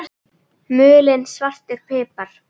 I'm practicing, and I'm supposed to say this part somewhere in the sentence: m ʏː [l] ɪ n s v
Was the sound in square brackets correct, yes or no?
yes